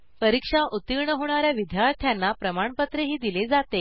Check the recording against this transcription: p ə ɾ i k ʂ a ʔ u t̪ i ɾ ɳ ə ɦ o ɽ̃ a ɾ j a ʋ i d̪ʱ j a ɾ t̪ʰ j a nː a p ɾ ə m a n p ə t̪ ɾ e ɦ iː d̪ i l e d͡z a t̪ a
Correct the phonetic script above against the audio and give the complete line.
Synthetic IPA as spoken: p ə ɾ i k ʂ a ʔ u t̪ i ɾ ɳ ə ɦ o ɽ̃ a ɾ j a ʋ i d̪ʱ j a ɾ t̪ʰ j a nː a p ɾ ə m a ɳ p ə t̪ ɾ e ɦ iː d̪ i l e d͡z a t̪ e